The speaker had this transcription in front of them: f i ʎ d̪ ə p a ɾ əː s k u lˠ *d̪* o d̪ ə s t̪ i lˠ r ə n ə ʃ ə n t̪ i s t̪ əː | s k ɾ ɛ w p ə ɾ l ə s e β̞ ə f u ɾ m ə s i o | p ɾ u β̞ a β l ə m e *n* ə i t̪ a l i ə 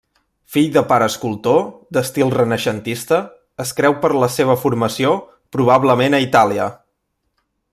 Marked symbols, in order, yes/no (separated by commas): no, yes